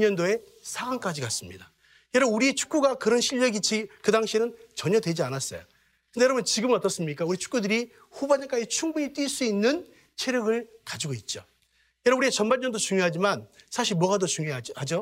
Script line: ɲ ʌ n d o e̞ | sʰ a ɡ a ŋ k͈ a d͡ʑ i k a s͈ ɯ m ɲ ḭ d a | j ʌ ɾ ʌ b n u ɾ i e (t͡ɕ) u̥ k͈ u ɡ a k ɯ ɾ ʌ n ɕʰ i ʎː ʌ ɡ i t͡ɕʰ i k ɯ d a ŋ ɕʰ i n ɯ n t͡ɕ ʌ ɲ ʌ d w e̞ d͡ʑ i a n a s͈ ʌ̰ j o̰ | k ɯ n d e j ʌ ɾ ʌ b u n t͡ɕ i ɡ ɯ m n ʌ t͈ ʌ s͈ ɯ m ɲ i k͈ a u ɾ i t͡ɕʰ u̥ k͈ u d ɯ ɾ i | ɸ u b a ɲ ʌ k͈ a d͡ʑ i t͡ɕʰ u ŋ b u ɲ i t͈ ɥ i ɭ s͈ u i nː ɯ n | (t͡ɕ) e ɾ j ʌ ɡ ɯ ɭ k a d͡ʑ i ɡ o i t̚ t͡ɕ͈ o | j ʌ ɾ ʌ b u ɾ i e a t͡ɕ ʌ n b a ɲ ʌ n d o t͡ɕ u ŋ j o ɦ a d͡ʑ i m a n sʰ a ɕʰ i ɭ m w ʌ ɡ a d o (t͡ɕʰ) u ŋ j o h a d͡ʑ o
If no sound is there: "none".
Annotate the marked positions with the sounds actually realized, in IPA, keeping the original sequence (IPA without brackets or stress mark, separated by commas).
t͡ɕʰ, t͡ɕʰ, t͡ɕ